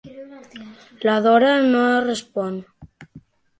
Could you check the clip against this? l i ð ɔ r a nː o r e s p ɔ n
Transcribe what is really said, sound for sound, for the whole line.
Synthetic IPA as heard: l a ð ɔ ɾ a n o r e s p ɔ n